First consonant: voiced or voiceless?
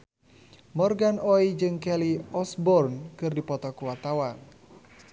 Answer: voiced